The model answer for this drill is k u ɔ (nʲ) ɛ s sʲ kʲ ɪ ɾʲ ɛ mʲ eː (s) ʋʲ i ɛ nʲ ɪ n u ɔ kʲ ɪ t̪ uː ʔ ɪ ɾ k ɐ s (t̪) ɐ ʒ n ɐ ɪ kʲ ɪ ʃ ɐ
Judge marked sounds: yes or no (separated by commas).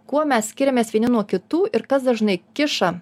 no, yes, no